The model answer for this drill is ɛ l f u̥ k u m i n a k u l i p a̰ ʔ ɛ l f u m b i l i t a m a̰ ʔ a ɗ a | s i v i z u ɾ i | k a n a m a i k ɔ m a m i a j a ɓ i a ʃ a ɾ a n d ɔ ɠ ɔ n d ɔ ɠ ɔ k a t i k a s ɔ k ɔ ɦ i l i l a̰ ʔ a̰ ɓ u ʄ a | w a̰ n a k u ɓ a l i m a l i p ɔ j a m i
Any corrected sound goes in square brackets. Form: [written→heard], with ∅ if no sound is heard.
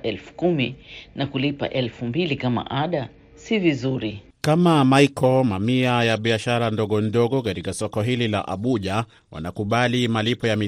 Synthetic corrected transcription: ɛ l f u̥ k u m i n a k u l i p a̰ ʔ ɛ l f u m b i l i [t→k] a m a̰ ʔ a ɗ a | s i v i z u ɾ i | k a [n→m] a m a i k ɔ m a m i a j a ɓ i a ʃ a ɾ a n d ɔ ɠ ɔ n d ɔ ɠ ɔ k a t i k a s ɔ k ɔ ɦ i l i l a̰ ʔ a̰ ɓ u ʄ a | w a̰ n a k u ɓ a l i m a l i p ɔ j a m i